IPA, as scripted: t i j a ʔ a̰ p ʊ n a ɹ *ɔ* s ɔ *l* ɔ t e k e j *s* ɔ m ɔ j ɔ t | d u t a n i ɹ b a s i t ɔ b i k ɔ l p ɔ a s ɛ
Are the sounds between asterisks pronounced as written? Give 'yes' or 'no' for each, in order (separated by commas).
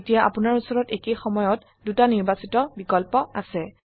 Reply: no, no, no